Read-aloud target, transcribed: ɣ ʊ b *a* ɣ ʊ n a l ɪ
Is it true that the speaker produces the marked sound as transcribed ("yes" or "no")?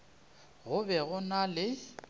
no